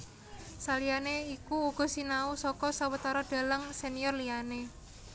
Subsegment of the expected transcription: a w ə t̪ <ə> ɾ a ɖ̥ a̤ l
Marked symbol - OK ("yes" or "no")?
no